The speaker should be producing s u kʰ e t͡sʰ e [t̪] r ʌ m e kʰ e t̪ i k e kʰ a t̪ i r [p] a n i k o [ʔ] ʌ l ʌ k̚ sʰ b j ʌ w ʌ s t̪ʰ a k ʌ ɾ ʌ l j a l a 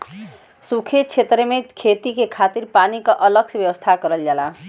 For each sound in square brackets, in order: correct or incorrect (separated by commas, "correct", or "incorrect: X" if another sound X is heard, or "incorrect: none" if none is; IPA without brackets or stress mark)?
correct, correct, correct